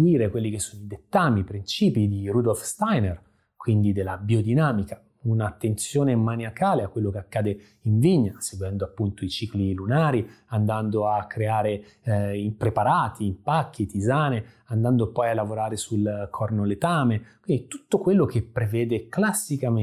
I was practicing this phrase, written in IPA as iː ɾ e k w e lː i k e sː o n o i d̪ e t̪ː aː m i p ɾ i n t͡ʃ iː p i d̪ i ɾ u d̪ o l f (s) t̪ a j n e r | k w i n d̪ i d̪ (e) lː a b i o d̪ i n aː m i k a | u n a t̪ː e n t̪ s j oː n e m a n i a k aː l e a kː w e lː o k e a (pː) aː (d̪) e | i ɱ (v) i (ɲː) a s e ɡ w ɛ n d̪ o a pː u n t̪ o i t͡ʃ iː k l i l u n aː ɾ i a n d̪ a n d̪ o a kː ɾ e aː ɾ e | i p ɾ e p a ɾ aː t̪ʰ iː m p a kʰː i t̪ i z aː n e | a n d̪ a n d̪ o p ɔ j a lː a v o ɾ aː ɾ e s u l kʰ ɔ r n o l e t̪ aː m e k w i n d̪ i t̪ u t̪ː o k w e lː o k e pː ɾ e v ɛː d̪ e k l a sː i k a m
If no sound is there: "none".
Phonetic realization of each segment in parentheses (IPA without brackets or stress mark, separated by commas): s, e, kː, d̪, v, ɲː